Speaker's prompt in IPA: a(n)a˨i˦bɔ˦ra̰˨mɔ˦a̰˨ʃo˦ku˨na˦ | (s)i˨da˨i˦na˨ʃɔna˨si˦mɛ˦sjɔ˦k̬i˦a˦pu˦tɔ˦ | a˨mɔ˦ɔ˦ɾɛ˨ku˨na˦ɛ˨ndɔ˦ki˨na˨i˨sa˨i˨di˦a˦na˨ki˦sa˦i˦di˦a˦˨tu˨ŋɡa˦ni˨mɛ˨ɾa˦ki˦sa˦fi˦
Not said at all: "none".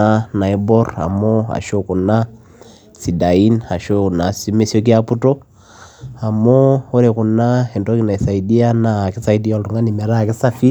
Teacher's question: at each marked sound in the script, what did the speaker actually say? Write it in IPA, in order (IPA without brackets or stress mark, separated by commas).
n, s